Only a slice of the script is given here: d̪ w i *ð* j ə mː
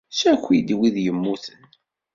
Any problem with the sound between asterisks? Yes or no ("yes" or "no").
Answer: no